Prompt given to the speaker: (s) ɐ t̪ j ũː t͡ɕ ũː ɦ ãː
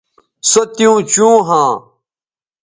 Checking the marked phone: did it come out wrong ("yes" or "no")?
no